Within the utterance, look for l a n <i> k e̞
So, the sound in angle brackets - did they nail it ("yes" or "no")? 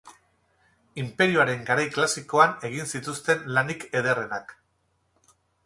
yes